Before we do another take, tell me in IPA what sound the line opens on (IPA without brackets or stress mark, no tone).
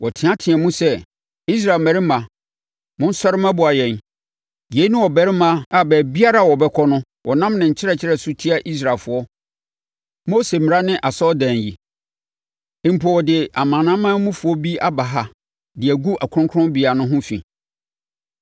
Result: w